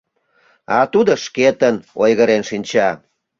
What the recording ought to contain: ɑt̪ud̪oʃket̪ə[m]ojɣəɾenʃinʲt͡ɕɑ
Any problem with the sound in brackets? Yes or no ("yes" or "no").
yes